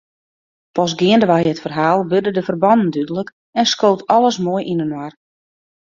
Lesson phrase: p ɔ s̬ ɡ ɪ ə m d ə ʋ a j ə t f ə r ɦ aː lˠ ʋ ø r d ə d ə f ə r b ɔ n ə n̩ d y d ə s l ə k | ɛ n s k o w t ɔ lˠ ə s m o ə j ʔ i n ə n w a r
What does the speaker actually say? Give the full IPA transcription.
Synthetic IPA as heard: p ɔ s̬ ɡ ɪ ə n d ə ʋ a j ə t f ə r ɦ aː lˠ ʋ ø r d ə d ə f ə r b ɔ n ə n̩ d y d ə l ə k | ɛ n s k o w t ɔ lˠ ə s m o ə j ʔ i n ə n w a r